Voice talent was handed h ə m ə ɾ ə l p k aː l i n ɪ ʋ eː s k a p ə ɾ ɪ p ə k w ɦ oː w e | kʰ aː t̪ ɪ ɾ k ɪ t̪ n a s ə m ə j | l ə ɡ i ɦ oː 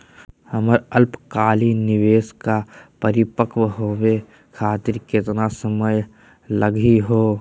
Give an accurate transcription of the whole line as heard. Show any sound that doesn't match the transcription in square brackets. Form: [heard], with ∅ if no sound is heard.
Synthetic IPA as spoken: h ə m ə ɾ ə l p k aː l i n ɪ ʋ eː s k a p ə ɾ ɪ p ə k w ɦ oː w e | kʰ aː t̪ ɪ ɾ k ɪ t̪ n a s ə m ə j | l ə ɡ i ɦ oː